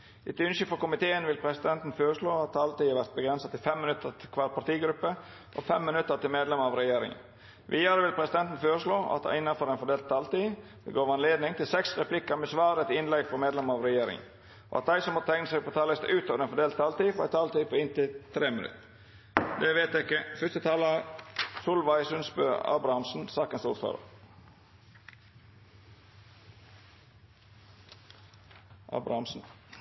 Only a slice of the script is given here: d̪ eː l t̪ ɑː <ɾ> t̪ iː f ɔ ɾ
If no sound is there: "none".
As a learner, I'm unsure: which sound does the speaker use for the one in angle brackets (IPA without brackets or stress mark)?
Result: l